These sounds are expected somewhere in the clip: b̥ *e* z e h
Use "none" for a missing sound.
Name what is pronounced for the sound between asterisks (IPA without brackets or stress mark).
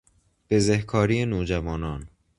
e